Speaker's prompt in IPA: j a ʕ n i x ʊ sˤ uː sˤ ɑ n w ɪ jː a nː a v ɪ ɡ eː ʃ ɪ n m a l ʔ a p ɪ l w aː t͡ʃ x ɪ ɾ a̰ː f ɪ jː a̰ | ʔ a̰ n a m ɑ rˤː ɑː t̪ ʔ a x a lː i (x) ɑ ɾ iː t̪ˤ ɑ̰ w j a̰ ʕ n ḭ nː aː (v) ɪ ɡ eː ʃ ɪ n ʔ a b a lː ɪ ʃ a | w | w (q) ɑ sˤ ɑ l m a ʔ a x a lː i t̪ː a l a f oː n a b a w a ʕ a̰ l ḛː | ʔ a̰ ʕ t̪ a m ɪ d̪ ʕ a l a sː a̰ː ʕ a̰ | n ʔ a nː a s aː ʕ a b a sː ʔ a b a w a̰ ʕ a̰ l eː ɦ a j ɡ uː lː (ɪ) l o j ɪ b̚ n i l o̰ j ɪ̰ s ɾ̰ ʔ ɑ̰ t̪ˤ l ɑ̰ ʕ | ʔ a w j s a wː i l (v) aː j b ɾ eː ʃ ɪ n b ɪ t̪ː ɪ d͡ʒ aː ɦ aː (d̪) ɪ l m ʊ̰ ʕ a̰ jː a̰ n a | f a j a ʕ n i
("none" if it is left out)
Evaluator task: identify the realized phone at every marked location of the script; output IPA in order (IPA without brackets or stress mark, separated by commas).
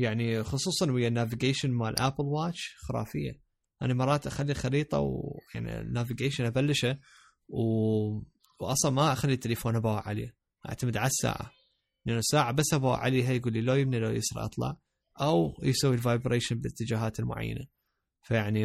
x, v, ʔ, i, v, t̪